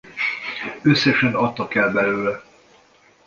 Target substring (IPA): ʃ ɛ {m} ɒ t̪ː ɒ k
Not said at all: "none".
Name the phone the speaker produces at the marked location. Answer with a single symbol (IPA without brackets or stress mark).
n